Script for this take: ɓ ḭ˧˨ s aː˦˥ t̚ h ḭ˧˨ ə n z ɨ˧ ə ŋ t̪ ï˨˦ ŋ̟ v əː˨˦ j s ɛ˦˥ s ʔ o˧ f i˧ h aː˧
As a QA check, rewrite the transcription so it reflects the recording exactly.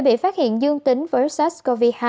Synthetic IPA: ɓ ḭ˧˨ f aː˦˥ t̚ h ḭ˧˨ ə n z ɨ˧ ə ŋ t̪ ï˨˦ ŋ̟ v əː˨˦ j s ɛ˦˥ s k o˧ v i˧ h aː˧